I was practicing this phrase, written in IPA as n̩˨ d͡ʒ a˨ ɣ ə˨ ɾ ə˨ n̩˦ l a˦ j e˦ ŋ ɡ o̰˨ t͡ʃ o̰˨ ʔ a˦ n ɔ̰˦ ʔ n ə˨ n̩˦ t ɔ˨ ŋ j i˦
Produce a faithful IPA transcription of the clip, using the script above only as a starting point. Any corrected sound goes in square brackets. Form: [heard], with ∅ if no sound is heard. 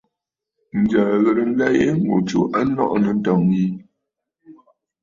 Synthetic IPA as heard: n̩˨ d͡ʒ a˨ ɣ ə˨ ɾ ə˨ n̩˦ l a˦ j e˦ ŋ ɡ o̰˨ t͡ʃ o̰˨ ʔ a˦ n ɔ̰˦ ʔ n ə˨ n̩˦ t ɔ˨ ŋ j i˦